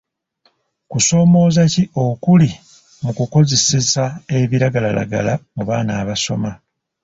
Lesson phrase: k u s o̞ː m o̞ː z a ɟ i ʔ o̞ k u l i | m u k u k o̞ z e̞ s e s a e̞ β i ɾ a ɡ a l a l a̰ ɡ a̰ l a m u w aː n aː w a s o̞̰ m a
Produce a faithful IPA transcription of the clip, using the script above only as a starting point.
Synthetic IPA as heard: k u s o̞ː m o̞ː z a c i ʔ o̞ k u l i | m u k u k o̞ z e̞ s e s a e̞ β i ɾ a ɡ a l a l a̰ ɡ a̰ l a m u β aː n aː β a s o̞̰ m a